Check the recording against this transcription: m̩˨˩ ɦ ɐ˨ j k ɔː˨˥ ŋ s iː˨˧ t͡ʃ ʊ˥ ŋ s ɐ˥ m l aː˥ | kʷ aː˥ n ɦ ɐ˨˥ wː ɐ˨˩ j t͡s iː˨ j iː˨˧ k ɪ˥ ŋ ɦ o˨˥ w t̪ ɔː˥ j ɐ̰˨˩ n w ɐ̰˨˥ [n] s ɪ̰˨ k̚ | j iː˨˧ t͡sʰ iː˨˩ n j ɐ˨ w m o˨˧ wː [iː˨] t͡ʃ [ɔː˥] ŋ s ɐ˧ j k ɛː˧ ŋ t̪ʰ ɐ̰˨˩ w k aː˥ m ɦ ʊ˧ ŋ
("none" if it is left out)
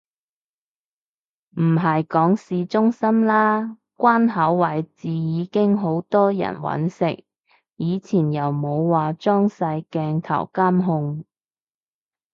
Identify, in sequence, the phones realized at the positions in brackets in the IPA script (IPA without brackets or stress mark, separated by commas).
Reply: n, aː˨, ɔː˥